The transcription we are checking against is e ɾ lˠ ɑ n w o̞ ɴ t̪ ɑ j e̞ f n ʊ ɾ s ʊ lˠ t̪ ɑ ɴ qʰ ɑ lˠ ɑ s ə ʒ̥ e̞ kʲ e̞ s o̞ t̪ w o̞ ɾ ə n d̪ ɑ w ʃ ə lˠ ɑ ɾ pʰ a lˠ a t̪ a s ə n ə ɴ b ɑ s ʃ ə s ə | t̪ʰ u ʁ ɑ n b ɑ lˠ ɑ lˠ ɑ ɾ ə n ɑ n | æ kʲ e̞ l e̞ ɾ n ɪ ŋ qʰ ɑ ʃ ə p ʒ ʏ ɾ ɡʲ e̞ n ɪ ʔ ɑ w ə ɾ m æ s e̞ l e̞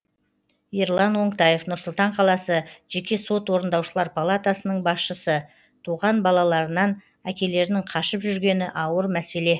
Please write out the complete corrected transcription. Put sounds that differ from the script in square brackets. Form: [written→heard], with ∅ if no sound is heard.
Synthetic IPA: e ɾ lˠ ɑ n w o̞ ɴ t̪ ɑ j e̞ f n ʊ ɾ s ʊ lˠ t̪ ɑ ɴ qʰ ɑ lˠ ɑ s ə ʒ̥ e̞ kʲ e̞ s o̞ t̪ w o̞ ɾ ə n d̪ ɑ w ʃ ə lˠ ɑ ɾ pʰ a lˠ a t̪ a s ə n ə ɴ b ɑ s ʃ ə s ə | t̪ʰ u ʁ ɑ n b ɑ lˠ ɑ lˠ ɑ ɾ ə n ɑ n | æ kʲ e̞ l e̞ ɾ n ɪ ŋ qʰ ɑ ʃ ə p ʒ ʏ ɾ ɡʲ e̞ n ɪ ʔ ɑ w ə ɾ m æ s e̞ l e̞